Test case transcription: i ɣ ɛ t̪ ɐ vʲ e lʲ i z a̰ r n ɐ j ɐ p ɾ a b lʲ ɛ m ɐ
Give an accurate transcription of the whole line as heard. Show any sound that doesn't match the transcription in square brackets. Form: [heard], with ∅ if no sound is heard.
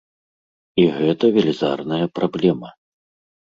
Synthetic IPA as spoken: i ɣ ɛ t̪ ɐ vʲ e lʲ i z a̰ r n ɐ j ɐ p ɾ a b lʲ ɛ m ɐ

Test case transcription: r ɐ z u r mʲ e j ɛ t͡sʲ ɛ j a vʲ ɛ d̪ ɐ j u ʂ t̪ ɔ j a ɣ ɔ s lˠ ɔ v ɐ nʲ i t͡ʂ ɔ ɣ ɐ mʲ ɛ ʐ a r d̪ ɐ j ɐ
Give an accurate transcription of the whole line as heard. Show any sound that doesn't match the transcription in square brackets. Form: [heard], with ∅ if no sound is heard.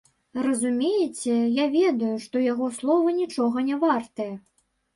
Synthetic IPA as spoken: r ɐ z u [∅] mʲ e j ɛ t͡sʲ ɛ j a vʲ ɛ d̪ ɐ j u ʂ t̪ ɔ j a ɣ ɔ s lˠ ɔ v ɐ nʲ i t͡ʂ ɔ ɣ ɐ [nʲ] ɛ [v] a r [t̪] ɐ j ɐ

